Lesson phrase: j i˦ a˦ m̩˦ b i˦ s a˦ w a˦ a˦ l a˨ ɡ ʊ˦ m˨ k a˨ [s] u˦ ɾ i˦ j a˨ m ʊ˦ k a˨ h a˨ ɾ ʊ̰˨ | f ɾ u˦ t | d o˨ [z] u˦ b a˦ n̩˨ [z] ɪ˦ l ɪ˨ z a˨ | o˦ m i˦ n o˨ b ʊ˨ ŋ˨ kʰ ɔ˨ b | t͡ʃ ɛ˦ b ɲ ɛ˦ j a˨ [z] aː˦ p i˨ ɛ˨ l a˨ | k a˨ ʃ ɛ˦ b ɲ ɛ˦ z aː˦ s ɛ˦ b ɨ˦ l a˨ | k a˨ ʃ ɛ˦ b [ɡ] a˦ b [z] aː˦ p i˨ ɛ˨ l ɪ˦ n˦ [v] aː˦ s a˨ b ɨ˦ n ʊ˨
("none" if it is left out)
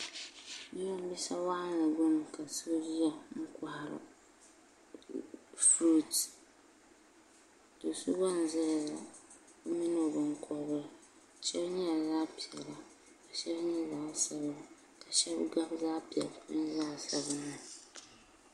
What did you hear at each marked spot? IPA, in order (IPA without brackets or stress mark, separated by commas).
s, s, z, z, ɡ, z, z